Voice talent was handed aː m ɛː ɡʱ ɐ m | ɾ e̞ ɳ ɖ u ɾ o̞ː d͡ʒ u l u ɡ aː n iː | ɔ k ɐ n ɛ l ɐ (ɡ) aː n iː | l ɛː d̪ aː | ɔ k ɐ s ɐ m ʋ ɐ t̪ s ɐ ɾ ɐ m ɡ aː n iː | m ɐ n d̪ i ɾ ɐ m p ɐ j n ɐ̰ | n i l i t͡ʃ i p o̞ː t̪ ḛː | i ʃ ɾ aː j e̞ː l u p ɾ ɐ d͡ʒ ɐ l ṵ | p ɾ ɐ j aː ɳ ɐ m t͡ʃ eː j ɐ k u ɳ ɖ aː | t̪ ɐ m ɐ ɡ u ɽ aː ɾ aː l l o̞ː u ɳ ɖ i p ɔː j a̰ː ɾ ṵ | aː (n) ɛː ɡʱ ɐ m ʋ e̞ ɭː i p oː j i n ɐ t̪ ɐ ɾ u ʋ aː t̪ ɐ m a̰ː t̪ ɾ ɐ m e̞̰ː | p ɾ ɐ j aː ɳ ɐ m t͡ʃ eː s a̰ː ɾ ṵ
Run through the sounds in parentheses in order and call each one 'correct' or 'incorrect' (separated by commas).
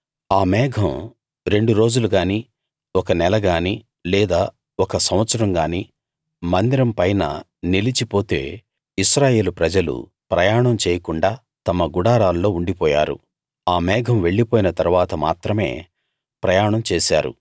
correct, incorrect